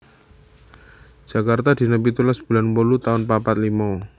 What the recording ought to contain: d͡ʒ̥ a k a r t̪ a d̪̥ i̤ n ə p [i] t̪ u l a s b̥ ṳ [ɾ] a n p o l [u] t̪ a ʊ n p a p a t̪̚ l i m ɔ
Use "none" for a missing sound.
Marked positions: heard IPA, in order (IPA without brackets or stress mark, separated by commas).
i, l, u